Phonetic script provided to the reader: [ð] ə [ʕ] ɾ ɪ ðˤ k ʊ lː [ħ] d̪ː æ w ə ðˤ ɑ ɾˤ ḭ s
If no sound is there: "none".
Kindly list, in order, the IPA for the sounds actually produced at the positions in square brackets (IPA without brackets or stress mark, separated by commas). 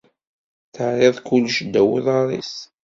θ, ʕ, ʃ